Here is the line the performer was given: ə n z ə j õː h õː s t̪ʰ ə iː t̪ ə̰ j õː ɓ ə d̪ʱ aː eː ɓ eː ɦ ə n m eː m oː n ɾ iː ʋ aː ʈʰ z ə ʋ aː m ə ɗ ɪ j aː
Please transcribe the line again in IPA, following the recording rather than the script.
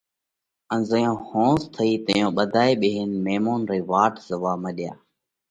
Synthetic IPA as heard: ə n z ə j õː h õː s t̪ʰ ə iː t̪ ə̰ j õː ɓ ə d̪ʱ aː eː ɓ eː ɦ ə n m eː m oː n ɾ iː ʋ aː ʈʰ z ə ʋ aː m ə ɗ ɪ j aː